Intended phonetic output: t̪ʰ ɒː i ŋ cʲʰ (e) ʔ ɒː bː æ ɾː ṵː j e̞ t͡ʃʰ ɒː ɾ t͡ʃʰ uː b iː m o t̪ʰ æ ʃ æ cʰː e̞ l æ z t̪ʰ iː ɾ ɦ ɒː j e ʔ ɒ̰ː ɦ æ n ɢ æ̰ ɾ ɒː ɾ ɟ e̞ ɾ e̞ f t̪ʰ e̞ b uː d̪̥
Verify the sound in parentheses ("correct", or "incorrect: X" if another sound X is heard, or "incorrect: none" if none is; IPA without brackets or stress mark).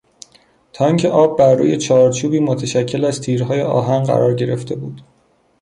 correct